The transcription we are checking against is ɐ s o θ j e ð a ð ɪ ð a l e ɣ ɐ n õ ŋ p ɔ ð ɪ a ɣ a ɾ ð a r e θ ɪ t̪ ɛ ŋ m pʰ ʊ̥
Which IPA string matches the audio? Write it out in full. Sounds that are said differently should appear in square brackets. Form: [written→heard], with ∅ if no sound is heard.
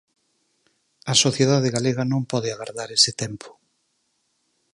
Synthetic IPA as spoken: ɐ s o θ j e ð a ð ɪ [ð→ɣ] a l e ɣ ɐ n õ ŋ p ɔ ð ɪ a ɣ a ɾ ð a [r→ɾ] e [θ→s] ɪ t̪ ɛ [ŋ→∅] m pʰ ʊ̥

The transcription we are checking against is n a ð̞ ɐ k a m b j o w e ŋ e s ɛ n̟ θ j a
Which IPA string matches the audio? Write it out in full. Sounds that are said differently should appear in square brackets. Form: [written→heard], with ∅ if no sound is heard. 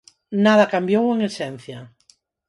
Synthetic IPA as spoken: n a ð̞ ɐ k a m b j o w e ŋ e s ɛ n̟ θ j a

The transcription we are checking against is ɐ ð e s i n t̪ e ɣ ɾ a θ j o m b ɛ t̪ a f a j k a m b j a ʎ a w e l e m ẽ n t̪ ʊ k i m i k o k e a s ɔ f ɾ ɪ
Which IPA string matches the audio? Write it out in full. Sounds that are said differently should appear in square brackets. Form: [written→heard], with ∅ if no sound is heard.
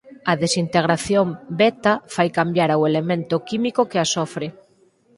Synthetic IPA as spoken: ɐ ð e s i n t̪ e ɣ ɾ a θ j o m b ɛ t̪ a f a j k a m b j a [ʎ→ɾ] a w e l e m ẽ n t̪ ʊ k i m i k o k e a s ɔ f ɾ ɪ

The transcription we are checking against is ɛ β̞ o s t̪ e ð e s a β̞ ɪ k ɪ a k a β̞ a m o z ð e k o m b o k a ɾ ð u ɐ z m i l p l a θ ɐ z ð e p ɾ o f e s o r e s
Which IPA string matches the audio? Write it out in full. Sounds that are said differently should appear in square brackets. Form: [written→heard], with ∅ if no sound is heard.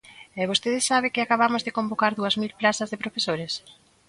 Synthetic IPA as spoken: ɛ β̞ o s t̪ e ð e s a β̞ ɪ k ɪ a k a β̞ a m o z ð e k o m b o k a ɾ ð u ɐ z m i l p l a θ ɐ z ð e p ɾ o f e s o [r→ɾ] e s

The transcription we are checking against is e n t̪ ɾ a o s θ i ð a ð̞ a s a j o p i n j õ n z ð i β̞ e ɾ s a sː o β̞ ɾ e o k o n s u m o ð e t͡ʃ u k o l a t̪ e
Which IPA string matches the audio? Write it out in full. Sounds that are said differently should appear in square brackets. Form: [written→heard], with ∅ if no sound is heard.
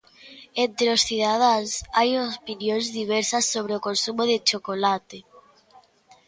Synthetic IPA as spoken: e n t̪ ɾ [a→e] o s θ i ð a ð̞ a s a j o p i n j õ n z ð i β̞ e ɾ s a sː o β̞ ɾ e o k o n s u m o ð e t͡ʃ [u→o] k o l a t̪ e

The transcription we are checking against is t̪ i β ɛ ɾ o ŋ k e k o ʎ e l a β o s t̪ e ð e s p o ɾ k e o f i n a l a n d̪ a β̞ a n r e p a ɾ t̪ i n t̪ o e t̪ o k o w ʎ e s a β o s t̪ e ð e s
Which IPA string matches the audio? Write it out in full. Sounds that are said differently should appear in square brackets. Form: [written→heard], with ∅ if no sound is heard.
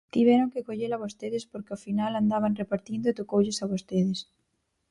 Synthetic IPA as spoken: t̪ i β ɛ ɾ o ŋ k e k o ʎ e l a β o s t̪ e ð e s p o ɾ k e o f i n a l a n d̪ a β̞ a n r e p a ɾ t̪ i n [t̪→d̪] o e t̪ o k o w ʎ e s a β o s t̪ e ð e s

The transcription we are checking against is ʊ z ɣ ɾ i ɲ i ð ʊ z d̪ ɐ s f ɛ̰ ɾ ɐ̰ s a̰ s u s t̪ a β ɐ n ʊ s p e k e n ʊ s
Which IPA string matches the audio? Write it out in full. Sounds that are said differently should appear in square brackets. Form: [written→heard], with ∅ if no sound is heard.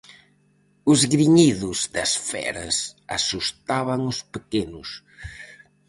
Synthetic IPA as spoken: ʊ z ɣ ɾ i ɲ i ð ʊ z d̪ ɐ s f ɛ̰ ɾ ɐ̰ s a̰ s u s t̪ a β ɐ [n→ŋ] ʊ s p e k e n ʊ s

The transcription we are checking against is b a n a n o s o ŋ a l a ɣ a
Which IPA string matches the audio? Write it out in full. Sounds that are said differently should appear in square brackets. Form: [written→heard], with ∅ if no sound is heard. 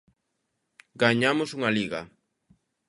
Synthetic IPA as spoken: [b→ɡ] a [n→ɲ] a [n→m] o s [o→u] ŋ a l [a→i] ɣ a

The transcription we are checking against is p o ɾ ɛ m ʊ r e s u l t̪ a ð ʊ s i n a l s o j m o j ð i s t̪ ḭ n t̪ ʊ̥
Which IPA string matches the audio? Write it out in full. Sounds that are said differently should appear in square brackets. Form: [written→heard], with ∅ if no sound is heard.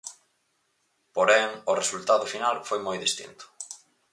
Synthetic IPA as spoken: p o ɾ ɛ [m→ŋ] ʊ r e s u l t̪ a ð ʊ [s→f] i n a l [s→f] o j m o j ð i s t̪ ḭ n t̪ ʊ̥

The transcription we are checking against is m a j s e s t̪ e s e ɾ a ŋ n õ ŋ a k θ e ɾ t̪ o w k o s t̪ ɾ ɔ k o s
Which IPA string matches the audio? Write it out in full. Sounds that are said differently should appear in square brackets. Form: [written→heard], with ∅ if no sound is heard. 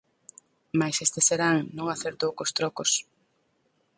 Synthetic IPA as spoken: m a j s e s t̪ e s e ɾ a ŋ n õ ŋ a [k→∅] θ e ɾ t̪ o w k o s t̪ ɾ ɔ k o s

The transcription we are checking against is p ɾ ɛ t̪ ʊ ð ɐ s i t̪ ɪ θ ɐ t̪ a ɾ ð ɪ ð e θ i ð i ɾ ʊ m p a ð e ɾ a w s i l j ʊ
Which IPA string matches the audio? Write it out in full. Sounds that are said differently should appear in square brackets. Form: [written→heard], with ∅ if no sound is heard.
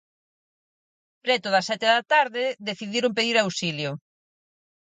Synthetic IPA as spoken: p ɾ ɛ t̪ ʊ ð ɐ s [i→ɛ] t̪ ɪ [θ→ð] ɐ t̪ a ɾ ð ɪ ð e θ i ð i ɾ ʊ m p [a→e] ð [e→i] ɾ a w s i l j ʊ

